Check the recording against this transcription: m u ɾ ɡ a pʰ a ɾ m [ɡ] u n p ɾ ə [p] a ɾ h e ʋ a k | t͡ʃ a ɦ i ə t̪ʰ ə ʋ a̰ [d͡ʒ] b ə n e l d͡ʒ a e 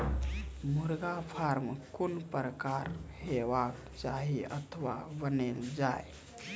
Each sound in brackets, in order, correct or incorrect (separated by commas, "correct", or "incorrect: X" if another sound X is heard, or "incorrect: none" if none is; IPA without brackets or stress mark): incorrect: k, incorrect: k, incorrect: none